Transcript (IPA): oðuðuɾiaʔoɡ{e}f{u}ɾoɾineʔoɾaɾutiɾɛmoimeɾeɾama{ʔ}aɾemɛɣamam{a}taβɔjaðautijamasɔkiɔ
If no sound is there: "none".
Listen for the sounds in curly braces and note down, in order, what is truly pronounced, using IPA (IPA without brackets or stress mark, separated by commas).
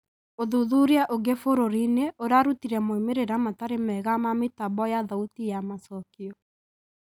e, o, t, e